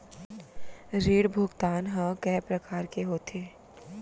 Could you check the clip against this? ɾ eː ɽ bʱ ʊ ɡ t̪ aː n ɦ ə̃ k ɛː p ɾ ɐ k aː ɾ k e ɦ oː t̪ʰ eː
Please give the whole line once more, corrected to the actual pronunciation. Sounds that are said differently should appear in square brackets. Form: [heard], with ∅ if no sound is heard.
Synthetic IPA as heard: ɾ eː ɽ bʱ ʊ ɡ t̪ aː n ɦ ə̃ k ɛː p ɾ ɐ k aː ɾ k e ɦ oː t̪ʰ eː